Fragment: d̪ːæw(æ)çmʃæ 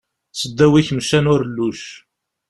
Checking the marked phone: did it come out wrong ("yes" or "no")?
yes